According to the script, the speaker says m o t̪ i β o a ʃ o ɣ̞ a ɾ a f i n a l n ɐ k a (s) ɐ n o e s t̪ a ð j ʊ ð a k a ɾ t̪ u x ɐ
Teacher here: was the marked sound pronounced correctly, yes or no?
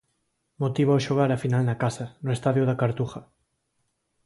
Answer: yes